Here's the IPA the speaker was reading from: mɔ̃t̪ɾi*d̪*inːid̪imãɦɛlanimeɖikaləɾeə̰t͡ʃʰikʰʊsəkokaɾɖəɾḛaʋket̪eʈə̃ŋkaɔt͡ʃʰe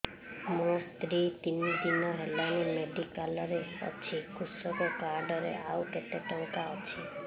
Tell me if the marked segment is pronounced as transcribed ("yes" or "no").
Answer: no